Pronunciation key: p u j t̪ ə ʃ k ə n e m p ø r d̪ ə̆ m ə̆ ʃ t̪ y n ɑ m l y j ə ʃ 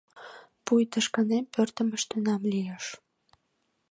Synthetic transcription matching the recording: p u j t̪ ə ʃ k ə n e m p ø r t̪ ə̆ m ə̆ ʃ t̪ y n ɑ m l i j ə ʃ